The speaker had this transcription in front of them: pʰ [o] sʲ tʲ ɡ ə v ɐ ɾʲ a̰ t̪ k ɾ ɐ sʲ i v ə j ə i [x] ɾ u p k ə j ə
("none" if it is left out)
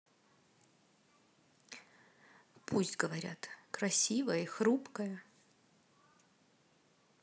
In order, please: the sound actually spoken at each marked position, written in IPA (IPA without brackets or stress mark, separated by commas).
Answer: u, x